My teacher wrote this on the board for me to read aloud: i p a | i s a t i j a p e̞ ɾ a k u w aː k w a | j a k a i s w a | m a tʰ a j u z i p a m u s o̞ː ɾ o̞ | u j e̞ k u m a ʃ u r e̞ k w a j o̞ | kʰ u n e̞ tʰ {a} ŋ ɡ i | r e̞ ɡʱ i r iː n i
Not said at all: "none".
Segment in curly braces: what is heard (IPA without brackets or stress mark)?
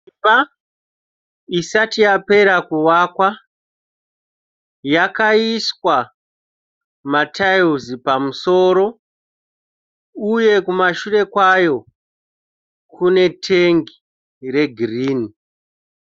e